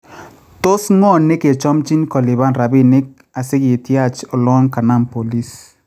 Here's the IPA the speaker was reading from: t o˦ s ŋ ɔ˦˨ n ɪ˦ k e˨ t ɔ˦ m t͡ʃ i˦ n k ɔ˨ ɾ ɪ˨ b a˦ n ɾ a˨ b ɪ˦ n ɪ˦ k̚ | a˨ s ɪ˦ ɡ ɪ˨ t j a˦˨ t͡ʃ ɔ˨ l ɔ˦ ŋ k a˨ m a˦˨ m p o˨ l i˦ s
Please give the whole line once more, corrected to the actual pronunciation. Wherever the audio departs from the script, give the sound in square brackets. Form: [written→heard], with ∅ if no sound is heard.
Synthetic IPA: t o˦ s ŋ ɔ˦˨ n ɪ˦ k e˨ [t→t͡ʃ] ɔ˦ m t͡ʃ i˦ n k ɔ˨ [ɾ→l] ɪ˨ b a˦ n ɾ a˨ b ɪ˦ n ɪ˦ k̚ | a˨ s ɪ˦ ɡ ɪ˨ t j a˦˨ t͡ʃ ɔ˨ l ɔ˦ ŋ k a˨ [m→n] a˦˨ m p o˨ l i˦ s